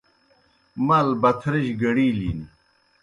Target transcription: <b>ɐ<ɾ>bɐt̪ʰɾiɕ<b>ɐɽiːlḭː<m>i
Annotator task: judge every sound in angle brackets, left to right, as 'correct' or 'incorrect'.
incorrect: m, incorrect: l, incorrect: ɡ, incorrect: n

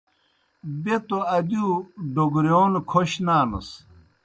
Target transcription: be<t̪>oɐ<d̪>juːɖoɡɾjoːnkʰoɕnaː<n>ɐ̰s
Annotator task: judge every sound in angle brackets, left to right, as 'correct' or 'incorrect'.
correct, correct, correct

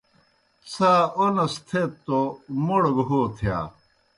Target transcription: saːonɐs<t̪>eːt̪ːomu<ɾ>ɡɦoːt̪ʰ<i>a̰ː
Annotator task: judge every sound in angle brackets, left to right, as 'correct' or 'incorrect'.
incorrect: t̪ʰ, incorrect: ɽ, incorrect: j

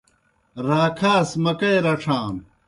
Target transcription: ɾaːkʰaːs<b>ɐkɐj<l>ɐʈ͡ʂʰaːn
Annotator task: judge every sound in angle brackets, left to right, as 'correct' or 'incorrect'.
incorrect: m, incorrect: ɾ

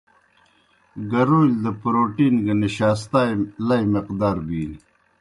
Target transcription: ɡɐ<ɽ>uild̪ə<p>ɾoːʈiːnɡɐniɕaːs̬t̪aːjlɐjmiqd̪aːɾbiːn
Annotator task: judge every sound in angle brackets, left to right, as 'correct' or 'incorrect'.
incorrect: ɾ, correct

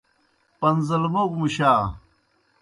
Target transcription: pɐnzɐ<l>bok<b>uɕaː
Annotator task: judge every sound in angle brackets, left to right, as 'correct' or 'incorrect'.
correct, incorrect: m

